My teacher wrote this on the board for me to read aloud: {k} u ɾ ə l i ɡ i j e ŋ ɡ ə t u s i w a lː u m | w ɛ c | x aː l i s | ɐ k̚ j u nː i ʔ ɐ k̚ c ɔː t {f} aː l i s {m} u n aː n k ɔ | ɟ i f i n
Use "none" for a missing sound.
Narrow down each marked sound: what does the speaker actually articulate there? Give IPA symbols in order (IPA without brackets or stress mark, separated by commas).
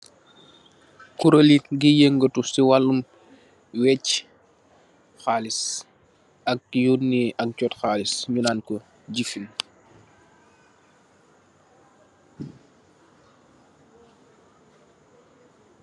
k, x, ɲ